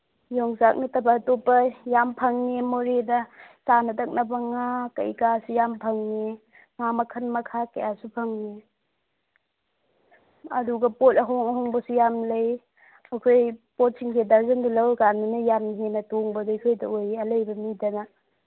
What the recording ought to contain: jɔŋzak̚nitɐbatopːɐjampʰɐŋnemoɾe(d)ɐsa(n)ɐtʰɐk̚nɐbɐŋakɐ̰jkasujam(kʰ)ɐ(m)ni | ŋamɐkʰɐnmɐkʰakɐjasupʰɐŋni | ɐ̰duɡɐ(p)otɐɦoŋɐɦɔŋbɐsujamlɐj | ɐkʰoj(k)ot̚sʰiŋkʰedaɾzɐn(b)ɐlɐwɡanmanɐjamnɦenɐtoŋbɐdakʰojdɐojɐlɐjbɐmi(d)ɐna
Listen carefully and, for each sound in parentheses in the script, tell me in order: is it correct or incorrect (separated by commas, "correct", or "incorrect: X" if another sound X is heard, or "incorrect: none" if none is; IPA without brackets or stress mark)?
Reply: correct, correct, incorrect: pʰ, incorrect: ŋ, correct, incorrect: p, incorrect: d, correct